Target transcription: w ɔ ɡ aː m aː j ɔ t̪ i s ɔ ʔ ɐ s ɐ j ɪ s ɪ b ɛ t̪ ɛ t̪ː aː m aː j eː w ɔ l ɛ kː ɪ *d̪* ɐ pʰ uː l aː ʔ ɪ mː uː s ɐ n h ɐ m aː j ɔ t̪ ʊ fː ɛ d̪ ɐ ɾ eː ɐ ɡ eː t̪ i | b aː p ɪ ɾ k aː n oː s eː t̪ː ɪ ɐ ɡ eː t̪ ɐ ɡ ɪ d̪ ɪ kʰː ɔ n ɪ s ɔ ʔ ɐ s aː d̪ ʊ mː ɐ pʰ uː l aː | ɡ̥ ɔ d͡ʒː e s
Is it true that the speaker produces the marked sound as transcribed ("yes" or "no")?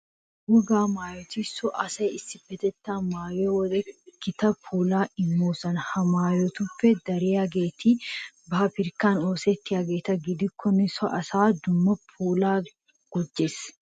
no